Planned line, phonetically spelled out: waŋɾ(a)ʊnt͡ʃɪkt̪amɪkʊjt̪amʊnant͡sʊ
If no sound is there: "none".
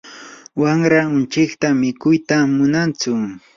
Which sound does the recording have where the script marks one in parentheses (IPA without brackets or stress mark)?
a